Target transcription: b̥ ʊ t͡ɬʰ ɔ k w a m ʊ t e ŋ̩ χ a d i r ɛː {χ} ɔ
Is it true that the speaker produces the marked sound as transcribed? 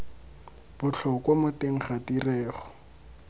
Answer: yes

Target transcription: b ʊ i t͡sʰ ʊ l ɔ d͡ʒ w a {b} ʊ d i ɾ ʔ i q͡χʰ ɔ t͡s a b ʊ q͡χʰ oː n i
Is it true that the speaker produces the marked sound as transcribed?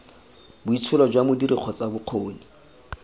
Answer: no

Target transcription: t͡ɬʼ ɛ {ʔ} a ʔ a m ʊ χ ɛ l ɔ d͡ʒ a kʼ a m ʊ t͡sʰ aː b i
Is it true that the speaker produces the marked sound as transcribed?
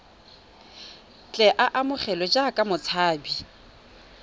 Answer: yes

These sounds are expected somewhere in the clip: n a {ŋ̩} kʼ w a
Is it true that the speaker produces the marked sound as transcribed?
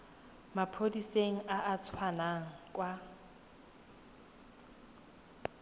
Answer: yes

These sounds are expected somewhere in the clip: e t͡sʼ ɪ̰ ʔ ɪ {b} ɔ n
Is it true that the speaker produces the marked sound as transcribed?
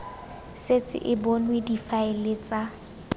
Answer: yes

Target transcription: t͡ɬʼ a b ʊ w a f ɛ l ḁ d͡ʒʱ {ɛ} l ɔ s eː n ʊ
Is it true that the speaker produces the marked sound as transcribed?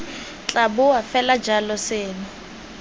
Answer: no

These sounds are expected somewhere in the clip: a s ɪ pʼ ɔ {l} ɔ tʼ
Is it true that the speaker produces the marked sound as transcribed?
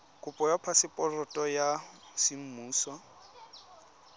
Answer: no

